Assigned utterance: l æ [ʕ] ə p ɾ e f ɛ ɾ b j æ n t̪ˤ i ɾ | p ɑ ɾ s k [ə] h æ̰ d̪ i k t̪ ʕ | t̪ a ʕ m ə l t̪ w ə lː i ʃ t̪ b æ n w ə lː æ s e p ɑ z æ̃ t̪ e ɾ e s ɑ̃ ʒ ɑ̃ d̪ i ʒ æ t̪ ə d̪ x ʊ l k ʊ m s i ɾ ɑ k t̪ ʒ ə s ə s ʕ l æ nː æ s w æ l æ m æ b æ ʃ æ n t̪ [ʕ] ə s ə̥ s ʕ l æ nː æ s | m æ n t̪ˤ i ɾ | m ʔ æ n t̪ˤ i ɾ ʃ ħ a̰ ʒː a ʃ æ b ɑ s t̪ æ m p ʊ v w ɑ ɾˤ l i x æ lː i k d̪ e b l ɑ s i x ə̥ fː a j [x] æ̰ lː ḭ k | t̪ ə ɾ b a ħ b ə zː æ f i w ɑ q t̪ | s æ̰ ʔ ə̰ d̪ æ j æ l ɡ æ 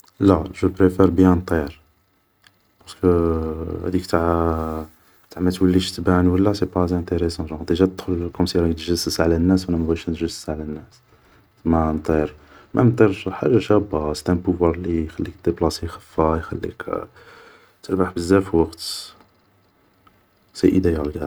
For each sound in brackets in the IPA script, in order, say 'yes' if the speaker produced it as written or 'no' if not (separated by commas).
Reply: no, yes, no, yes